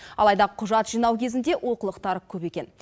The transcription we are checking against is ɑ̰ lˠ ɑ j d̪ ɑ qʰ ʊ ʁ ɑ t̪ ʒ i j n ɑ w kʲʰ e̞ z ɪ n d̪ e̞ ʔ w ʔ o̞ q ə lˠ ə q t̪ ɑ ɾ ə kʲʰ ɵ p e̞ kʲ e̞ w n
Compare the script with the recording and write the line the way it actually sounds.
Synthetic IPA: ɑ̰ lˠ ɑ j d̪ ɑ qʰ ʊ ʒ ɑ t̪ ʒ i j n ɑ w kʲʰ e̞ z ɪ n d̪ e̞ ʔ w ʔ o̞ q ə lˠ ə q t̪ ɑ ɾ ə kʲʰ ɵ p e̞ kʲ e̞ n